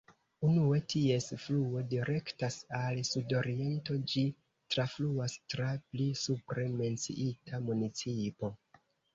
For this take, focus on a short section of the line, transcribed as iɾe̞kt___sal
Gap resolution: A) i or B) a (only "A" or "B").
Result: B